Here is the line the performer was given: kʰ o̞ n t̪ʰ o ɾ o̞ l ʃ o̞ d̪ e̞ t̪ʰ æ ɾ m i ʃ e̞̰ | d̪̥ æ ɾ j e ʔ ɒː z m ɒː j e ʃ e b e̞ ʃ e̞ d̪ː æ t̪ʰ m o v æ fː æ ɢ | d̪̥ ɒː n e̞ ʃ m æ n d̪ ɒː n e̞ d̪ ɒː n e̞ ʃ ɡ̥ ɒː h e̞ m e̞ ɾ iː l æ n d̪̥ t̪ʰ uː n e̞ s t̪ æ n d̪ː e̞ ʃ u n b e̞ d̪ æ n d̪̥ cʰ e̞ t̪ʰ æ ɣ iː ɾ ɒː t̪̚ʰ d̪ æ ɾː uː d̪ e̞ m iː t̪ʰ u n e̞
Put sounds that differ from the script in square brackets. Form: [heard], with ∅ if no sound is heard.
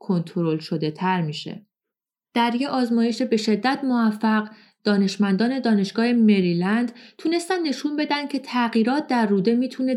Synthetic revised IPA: kʰ o̞ n t̪ʰ o ɾ o̞ l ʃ o̞ d̪ e̞ t̪ʰ æ ɾ m i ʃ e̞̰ | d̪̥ æ ɾ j e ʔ ɒː z m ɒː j e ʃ e b e̞ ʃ e̞ d̪ː æ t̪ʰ m o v æ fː æ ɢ | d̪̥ ɒː n e̞ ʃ m æ n d̪ ɒː n e̞ d̪ ɒː n e̞ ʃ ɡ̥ ɒː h e̞ m e̞ ɾ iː l æ n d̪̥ t̪ʰ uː n e̞ s t̪ æ n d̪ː e̞ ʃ u n b e̞ d̪ æ n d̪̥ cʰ e̞ t̪ʰ æ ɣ iː ɾ ɒː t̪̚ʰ d̪ æ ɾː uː d̪ e̞ m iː t̪ʰ u n e̞